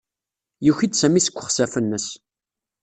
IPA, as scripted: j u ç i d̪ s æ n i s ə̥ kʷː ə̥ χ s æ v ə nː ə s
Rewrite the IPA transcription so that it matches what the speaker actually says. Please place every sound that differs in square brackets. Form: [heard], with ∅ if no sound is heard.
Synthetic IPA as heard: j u ç i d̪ s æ [m] i s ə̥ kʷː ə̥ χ s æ [f] ə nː ə s